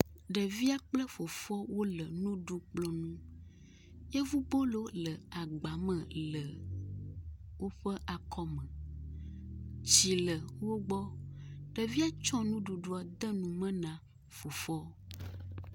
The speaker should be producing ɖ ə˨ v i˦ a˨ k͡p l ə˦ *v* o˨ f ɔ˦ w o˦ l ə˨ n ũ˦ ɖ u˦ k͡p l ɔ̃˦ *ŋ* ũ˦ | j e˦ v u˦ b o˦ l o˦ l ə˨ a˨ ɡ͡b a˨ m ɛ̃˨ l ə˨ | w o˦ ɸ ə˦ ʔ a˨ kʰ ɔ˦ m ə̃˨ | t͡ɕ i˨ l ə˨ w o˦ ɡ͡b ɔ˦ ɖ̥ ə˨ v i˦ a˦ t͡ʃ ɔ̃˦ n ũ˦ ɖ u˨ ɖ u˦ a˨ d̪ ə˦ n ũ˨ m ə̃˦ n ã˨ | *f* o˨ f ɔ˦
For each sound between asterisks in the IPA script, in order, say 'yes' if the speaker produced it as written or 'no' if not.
no, no, yes

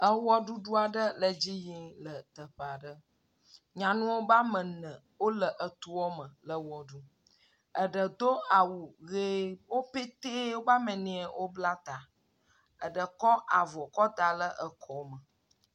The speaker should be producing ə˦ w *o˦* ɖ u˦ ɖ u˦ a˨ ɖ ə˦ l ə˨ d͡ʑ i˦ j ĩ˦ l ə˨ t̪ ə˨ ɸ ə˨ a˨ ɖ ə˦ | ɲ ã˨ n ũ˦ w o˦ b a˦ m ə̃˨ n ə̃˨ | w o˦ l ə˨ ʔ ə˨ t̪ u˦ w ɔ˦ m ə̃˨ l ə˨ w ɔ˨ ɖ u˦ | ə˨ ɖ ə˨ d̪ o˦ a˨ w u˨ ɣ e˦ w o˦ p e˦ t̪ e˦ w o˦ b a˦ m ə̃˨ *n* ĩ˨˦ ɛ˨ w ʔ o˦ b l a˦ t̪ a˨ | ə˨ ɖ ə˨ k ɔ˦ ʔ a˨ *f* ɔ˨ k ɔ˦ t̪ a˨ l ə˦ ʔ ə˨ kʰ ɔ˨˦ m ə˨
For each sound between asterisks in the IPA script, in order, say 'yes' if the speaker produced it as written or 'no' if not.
no, yes, no

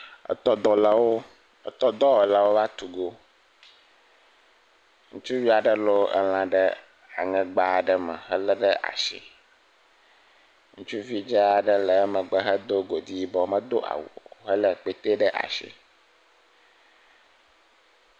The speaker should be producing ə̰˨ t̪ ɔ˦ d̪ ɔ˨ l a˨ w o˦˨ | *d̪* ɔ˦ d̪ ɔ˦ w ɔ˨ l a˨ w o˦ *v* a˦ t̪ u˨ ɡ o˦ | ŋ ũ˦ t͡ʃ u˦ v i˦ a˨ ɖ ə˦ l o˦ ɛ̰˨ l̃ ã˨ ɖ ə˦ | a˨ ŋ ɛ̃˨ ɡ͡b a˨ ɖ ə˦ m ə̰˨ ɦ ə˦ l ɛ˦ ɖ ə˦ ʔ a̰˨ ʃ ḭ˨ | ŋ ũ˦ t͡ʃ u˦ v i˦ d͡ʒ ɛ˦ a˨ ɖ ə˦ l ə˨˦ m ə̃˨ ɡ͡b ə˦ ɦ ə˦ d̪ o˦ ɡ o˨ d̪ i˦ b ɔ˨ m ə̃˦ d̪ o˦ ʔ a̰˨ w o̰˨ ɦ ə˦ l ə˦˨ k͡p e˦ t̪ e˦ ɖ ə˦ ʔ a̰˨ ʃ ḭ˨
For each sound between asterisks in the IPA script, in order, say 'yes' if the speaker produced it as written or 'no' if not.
no, yes

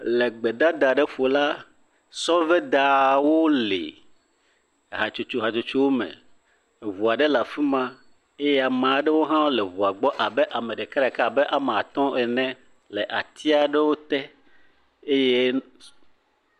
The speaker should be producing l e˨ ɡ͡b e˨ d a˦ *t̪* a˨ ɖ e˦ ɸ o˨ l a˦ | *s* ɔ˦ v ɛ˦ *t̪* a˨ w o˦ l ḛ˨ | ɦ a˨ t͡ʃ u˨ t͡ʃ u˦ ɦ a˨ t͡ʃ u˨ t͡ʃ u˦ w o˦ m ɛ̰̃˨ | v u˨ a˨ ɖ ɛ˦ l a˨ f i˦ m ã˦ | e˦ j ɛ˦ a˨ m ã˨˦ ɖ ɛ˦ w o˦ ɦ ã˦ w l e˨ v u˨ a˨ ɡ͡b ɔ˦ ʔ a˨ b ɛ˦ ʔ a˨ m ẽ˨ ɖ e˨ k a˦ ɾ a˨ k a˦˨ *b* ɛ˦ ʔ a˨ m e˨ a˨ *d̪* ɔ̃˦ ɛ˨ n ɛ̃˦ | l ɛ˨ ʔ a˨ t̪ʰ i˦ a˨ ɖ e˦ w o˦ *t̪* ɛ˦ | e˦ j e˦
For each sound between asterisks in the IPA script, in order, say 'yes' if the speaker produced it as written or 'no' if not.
no, yes, no, yes, no, yes

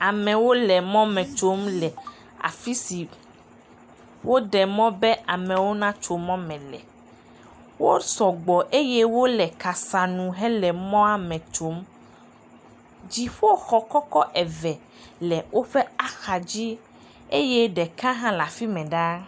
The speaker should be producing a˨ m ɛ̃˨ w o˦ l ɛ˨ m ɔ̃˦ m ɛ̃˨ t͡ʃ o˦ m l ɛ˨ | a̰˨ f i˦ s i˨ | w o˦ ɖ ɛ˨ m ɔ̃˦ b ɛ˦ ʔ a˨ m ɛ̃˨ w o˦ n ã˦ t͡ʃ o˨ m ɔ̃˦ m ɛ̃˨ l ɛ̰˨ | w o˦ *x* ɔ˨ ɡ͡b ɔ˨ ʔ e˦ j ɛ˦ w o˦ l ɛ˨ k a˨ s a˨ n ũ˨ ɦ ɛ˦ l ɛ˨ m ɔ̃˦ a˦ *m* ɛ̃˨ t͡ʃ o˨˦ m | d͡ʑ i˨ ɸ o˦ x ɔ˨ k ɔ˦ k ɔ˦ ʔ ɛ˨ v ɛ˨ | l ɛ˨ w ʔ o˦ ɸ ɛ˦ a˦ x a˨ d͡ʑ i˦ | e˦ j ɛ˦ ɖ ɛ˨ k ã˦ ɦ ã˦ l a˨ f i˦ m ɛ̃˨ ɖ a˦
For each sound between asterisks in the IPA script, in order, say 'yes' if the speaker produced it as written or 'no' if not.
no, yes

